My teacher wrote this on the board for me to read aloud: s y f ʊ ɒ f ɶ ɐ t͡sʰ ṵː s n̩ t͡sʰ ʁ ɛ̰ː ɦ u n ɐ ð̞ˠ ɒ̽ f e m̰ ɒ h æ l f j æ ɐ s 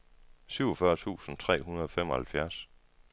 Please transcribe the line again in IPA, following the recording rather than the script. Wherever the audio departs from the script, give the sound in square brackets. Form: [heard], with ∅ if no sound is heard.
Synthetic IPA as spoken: s y [∅] ʊ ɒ f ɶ ɐ t͡sʰ ṵː s n̩ t͡sʰ ʁ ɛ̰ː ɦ u n ɐ ð̞ˠ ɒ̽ f e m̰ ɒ h æ l f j æ ɐ s